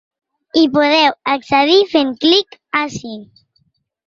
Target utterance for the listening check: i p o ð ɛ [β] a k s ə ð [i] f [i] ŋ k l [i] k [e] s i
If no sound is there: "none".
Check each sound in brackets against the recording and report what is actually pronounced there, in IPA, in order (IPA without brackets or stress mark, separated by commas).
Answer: w, i, e, i, a